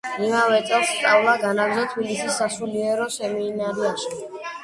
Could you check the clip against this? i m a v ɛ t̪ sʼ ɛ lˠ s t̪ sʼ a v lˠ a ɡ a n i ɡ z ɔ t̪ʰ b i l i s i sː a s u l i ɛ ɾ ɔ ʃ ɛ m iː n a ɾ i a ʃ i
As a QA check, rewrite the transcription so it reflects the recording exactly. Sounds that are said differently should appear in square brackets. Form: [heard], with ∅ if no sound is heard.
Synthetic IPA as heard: i m a v ɛ t̪ sʼ ɛ lˠ s t̪ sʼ a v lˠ a ɡ a n [a] ɡ z ɔ t̪ʰ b i l i s i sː a s u l i ɛ ɾ ɔ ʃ ɛ m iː n a ɾ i a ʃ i